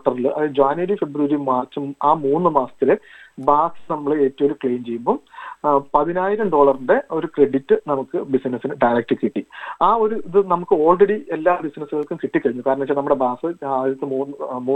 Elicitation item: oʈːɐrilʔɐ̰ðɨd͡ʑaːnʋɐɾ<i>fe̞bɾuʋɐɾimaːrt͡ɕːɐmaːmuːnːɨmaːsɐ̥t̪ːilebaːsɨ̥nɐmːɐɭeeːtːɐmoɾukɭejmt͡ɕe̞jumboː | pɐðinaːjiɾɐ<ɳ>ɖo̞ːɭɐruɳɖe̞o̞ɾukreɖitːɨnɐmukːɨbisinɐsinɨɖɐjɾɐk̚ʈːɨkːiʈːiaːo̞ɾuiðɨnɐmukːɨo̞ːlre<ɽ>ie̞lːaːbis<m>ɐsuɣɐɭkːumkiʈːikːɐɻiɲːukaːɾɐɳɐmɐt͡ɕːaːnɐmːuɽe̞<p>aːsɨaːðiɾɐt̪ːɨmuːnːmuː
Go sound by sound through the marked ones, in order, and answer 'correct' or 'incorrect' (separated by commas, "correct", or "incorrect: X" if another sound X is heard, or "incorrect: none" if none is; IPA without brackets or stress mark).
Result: correct, incorrect: m, correct, incorrect: n, incorrect: b